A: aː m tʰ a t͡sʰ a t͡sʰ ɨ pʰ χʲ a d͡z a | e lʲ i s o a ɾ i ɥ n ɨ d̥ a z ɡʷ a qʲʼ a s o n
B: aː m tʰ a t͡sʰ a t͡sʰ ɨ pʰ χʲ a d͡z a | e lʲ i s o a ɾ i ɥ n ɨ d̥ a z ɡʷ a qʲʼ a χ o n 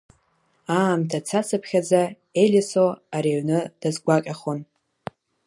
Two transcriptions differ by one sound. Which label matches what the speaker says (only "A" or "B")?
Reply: B